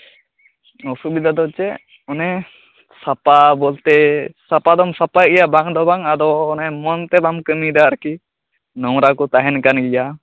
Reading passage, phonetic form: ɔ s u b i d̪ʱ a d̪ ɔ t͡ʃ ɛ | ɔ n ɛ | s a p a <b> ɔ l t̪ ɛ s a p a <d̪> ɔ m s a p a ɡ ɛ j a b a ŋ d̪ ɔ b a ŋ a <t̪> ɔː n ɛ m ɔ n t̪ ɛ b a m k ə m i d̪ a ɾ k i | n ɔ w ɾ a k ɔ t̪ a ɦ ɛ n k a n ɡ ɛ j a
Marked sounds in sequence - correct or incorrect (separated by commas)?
correct, correct, incorrect